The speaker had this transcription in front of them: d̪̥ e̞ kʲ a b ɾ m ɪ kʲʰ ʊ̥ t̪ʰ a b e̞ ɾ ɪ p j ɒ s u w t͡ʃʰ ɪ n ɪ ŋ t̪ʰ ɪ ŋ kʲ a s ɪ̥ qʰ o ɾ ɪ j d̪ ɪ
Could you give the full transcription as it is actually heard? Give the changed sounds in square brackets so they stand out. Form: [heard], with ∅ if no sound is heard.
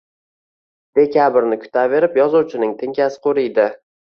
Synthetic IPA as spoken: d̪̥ e̞ kʲ a b ɾ [n] ɪ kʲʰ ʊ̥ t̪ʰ a [v] e̞ ɾ ɪ p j ɒ [z] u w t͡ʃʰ ɪ n ɪ ŋ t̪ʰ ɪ ŋ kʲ a s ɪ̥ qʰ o ɾ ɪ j d̪ ɪ